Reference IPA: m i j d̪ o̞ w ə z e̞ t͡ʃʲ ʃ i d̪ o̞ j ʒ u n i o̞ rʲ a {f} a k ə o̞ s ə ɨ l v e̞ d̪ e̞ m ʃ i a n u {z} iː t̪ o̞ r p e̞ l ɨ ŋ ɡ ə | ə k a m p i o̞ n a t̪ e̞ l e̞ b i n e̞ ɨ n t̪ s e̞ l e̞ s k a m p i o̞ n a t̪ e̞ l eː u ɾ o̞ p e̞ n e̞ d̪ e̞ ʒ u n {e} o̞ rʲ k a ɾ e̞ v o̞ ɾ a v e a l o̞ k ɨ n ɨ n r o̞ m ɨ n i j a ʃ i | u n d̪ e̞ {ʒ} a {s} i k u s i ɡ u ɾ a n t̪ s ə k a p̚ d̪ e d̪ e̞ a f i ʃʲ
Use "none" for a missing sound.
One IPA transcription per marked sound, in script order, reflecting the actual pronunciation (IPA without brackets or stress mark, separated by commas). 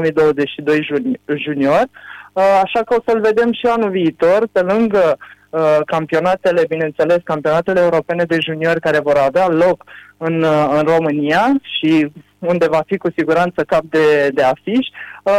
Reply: ʃ, v, i, v, f